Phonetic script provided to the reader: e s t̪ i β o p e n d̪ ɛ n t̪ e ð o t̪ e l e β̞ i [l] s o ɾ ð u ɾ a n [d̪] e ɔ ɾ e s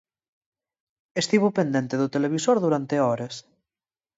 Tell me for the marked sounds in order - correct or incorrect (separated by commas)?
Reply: incorrect, incorrect